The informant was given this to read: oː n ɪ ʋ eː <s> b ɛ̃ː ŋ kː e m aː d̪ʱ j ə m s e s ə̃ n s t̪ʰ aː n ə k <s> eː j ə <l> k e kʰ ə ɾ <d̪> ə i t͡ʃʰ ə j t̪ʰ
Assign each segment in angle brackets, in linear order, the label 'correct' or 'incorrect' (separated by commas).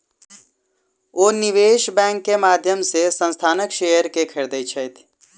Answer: incorrect, incorrect, incorrect, correct